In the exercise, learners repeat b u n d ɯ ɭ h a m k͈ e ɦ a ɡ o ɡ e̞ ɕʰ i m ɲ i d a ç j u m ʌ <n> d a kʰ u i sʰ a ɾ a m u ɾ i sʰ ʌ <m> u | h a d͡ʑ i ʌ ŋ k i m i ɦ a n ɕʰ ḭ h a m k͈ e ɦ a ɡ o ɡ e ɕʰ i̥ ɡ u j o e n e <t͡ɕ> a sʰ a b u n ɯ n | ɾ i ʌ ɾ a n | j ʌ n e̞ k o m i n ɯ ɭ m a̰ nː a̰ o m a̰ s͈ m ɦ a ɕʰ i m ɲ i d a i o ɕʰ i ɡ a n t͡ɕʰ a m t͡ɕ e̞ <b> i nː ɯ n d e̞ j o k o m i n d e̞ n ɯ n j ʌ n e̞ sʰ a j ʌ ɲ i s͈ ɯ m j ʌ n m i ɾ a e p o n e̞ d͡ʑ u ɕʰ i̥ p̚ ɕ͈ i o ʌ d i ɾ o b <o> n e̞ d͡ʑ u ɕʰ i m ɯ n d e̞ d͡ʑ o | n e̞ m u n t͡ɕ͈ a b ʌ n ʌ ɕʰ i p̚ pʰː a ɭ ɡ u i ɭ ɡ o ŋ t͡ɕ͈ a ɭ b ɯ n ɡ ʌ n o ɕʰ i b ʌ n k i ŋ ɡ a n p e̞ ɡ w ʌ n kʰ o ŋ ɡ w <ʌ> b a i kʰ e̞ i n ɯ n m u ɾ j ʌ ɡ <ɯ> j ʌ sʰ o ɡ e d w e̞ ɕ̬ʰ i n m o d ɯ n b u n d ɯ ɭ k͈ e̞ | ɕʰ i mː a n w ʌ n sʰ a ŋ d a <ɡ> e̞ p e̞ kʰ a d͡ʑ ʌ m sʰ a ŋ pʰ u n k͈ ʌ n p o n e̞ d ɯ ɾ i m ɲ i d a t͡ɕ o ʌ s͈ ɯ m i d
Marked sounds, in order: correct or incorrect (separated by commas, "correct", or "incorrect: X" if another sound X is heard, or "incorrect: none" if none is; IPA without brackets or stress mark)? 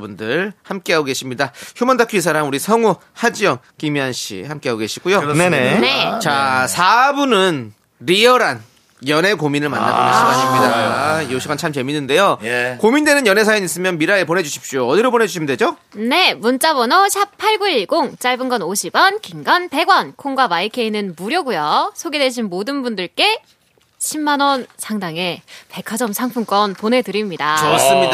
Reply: correct, incorrect: ŋ, correct, incorrect: m, correct, incorrect: a, incorrect: u, incorrect: ŋ